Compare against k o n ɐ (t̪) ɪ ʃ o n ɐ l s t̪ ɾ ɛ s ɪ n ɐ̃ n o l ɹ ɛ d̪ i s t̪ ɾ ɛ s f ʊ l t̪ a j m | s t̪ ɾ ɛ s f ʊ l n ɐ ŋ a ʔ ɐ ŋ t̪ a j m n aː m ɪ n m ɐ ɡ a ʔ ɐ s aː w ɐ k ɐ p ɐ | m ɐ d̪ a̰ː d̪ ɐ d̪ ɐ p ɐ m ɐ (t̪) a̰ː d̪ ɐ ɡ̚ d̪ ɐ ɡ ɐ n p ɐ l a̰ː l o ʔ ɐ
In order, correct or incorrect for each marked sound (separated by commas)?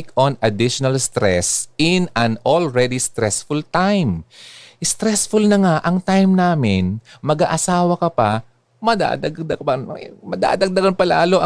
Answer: incorrect, incorrect